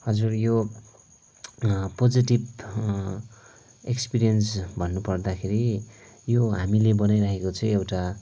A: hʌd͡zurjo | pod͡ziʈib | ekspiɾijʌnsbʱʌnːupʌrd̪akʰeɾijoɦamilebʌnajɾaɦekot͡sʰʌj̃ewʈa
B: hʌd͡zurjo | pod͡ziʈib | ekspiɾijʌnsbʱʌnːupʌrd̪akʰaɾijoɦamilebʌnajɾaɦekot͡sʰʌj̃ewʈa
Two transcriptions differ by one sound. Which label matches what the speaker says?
A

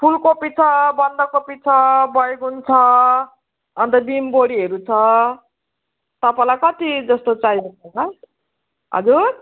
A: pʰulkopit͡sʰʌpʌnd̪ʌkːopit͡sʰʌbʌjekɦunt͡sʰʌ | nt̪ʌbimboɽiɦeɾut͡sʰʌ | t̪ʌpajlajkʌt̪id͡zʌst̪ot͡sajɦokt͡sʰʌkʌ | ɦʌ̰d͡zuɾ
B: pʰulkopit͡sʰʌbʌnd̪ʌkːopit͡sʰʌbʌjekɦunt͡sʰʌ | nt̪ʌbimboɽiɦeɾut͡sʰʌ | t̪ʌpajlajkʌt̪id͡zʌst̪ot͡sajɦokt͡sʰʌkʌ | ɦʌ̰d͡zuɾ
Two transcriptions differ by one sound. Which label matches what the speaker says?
B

